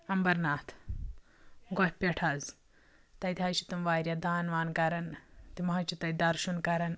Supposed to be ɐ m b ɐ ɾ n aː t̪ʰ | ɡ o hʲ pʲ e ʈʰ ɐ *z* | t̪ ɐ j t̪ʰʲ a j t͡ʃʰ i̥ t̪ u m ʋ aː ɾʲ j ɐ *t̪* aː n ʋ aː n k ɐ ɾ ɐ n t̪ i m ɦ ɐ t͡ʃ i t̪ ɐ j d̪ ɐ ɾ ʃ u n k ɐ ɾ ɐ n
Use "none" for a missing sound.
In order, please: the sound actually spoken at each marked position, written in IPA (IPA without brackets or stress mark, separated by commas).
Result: z, d̪